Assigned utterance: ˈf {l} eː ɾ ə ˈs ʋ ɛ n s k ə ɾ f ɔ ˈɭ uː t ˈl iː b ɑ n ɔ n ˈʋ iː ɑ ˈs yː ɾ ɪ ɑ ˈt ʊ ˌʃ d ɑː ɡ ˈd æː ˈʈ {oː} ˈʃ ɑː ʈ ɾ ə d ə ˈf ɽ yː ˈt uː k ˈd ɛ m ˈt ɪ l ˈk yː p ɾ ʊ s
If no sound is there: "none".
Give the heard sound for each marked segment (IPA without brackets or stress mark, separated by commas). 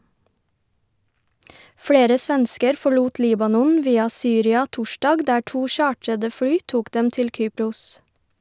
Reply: ɽ, uː